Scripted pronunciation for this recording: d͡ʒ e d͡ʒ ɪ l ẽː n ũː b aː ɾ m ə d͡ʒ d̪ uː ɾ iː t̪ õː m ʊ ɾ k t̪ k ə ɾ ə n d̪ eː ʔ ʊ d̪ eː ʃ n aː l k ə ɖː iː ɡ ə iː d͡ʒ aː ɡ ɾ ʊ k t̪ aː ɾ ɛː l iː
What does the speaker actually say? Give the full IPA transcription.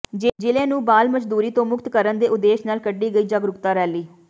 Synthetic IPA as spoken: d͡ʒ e d͡ʒ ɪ l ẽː n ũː b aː l m ə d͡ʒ d̪ uː ɾ iː t̪ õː m ʊ k t̪ k ə ɾ ə n d̪ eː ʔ ʊ d̪ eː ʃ n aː l k ə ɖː iː ɡ ə iː d͡ʒ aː ɡ ɾ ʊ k t̪ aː ɾ ɛː l iː